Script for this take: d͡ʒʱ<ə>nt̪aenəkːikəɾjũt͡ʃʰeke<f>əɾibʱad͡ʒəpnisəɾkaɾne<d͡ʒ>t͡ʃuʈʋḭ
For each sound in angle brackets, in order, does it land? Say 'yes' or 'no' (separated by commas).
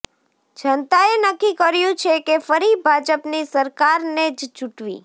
yes, yes, yes